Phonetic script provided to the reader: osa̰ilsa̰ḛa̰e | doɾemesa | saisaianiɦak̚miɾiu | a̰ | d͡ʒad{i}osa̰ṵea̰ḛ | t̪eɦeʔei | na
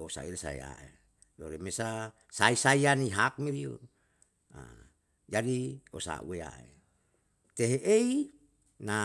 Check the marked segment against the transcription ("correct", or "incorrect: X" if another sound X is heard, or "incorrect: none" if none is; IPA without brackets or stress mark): correct